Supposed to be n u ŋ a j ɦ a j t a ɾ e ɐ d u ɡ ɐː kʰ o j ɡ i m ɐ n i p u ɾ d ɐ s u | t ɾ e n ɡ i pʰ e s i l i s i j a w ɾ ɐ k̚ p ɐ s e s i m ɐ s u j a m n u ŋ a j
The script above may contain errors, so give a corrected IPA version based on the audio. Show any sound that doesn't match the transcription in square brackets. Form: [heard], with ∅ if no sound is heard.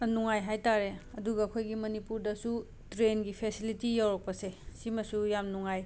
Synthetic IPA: n u ŋ a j ɦ a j t a ɾ e ɐ d u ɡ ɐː kʰ o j ɡ i m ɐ n i p u ɾ d ɐ s u | t ɾ e n ɡ i pʰ e s i l i [t] i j a w ɾ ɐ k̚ p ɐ s e s i m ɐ s u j a m n u ŋ a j